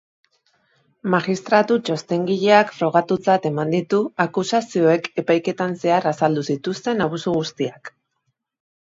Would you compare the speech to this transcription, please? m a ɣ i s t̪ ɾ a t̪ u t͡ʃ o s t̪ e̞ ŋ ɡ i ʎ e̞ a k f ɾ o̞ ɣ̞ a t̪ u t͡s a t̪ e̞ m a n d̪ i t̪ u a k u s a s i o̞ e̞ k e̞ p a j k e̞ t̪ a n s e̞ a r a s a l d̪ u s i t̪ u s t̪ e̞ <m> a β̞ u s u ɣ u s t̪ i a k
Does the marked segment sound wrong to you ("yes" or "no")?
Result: yes